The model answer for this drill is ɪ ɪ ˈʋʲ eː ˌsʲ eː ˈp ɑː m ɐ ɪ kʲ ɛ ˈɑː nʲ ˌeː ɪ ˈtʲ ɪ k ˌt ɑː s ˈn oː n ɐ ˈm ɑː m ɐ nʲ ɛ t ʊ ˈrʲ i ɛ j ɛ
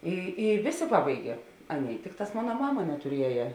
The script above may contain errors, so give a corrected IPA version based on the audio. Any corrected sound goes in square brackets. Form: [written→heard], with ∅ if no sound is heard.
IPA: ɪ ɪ ˈʋʲ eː ˌsʲ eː ˈp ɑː [m→b] ɐ ɪ [kʲ→ɡʲ] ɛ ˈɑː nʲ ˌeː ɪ ˈtʲ ɪ k ˌt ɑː s [ˈn→ˈm] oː n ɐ ˈm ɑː m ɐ nʲ ɛ t ʊ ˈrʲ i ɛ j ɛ